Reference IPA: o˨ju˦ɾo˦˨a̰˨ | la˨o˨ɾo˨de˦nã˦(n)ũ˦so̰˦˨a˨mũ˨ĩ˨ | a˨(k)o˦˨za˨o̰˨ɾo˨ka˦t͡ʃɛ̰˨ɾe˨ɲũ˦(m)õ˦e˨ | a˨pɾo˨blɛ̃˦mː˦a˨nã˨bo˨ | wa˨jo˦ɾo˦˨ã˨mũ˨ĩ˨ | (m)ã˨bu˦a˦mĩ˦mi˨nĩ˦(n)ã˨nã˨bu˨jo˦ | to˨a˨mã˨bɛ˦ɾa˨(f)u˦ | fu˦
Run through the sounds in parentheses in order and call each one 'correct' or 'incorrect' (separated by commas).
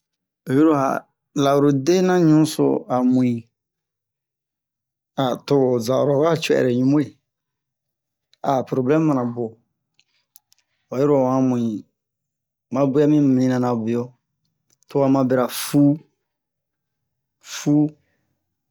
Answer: incorrect, incorrect, correct, correct, correct, correct